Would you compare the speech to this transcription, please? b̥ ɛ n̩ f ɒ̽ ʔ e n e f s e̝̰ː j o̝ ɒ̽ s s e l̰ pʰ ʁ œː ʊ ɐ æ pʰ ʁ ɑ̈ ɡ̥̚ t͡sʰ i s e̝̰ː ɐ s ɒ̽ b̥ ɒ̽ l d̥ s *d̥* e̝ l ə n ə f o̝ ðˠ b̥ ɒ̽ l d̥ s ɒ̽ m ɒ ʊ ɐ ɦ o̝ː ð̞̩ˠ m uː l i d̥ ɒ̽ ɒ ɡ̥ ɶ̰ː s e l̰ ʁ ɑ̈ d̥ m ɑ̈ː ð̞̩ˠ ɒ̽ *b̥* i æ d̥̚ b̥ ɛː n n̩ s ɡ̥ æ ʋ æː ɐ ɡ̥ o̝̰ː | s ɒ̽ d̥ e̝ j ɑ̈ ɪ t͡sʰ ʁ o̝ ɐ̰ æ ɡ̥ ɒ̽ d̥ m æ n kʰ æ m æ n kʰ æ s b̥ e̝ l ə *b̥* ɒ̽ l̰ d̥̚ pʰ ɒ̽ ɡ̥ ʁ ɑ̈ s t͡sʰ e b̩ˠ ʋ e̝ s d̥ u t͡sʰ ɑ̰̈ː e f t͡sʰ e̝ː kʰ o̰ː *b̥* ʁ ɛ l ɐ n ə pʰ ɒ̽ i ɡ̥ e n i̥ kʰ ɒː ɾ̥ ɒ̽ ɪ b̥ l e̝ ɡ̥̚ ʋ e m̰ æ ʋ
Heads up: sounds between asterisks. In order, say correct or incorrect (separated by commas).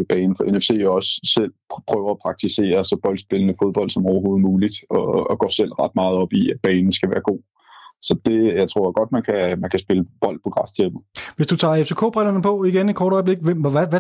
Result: incorrect, correct, correct, correct